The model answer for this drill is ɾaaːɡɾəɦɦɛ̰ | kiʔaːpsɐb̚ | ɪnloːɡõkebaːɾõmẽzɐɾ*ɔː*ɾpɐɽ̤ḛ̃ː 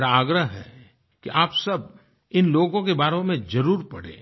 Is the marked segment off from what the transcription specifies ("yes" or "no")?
yes